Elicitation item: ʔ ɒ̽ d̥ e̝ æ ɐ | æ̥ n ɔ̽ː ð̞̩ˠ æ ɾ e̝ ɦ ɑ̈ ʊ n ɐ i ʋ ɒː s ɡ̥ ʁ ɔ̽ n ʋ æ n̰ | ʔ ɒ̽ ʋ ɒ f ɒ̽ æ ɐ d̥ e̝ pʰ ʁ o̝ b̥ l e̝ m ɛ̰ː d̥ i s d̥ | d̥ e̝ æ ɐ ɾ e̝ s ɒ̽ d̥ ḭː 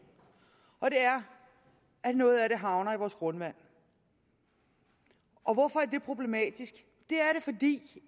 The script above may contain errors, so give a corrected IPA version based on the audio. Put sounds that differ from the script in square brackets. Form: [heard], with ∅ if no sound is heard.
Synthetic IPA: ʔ ɒ̽ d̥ e̝ æ ɐ | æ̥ n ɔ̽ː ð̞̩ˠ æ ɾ e̝ ɦ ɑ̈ ʊ n ɐ i ʋ ɒː s ɡ̥ ʁ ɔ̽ n ʋ æ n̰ | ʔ ɒ̽ ʋ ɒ f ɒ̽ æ ɐ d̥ e̝ pʰ ʁ o̝ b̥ l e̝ m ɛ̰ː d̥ i s [ɡ̥] | d̥ e̝ æ ɐ ɾ e̝ [f] ɒ̽ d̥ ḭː